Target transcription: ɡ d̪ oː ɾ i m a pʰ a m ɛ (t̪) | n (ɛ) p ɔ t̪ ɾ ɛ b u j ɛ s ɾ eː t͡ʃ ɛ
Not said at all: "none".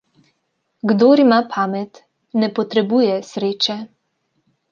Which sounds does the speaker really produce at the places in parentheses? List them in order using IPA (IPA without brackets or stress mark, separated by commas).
t̪, ɛ